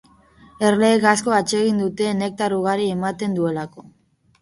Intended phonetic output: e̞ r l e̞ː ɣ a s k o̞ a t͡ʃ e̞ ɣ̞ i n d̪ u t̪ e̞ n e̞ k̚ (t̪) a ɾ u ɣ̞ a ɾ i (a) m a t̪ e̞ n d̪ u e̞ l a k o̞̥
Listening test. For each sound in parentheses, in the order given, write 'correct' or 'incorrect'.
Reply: correct, incorrect: e

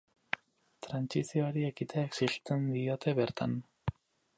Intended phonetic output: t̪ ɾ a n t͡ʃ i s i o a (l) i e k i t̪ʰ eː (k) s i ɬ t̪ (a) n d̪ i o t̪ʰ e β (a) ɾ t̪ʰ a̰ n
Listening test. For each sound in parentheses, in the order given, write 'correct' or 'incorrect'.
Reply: incorrect: ɾ, correct, incorrect: e, incorrect: e

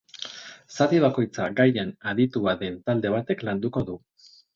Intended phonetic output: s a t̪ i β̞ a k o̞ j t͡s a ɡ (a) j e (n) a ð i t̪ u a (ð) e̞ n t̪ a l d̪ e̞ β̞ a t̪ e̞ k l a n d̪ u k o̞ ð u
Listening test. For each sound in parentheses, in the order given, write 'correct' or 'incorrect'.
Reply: correct, correct, correct

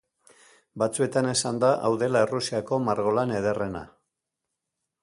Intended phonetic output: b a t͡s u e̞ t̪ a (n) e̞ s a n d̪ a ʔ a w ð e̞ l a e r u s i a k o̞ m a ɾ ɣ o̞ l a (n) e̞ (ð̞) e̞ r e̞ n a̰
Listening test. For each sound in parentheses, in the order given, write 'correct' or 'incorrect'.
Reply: correct, correct, correct

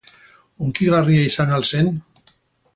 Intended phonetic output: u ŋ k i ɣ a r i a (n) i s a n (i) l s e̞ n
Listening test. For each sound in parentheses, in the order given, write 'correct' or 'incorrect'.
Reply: incorrect: none, incorrect: a

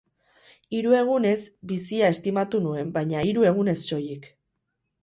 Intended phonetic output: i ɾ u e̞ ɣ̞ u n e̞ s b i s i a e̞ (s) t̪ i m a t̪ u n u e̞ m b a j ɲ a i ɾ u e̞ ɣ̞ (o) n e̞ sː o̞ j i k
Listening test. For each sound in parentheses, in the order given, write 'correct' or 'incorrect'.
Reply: correct, incorrect: u

